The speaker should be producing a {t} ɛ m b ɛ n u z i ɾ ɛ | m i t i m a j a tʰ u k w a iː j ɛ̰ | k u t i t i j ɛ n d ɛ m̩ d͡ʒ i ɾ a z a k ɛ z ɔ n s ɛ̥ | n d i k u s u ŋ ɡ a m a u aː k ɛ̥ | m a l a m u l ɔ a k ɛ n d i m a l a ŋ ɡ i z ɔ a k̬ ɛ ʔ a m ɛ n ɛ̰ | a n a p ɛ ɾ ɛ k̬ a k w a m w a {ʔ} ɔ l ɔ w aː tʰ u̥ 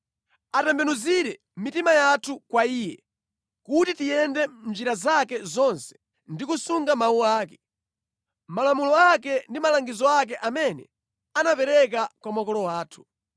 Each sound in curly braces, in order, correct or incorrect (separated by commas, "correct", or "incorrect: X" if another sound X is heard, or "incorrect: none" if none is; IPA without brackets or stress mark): correct, incorrect: k